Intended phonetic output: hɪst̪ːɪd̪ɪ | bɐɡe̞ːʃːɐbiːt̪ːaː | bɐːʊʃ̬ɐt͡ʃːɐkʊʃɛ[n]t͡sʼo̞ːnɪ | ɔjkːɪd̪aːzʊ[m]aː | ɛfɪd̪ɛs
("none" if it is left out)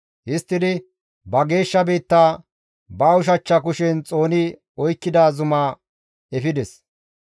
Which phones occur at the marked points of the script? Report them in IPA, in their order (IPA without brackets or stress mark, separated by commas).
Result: n, m